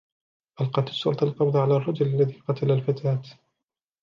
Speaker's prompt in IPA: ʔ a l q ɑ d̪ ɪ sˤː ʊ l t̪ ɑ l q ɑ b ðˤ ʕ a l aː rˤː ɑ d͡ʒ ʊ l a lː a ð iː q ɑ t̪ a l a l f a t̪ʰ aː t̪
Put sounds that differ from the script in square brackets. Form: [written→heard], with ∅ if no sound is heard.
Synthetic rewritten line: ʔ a l q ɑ [d̪→t̪] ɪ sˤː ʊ l t̪ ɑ l q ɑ b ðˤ ʕ a l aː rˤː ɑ d͡ʒ ʊ l a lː a ð iː q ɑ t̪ a l a l f a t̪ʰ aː t̪